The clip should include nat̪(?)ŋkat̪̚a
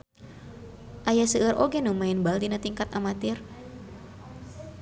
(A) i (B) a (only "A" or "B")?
A